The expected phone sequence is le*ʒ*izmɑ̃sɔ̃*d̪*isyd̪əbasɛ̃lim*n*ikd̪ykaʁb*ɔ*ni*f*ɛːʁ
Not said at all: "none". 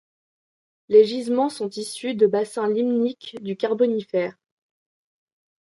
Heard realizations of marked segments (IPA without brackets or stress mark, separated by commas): ʒ, t̪, n, ɔ, f